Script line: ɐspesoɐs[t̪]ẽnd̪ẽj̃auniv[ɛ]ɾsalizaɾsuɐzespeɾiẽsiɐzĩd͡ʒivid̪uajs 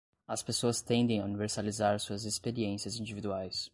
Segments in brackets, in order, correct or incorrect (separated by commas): correct, incorrect